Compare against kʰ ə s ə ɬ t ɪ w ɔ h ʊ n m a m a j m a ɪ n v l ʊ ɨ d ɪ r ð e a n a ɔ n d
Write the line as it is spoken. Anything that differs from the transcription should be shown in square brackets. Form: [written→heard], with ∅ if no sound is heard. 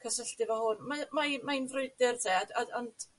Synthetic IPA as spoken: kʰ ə s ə ɬ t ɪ [w→v] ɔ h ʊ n m a m a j m a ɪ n v [l→r] ʊ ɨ d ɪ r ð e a [n→d] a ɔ n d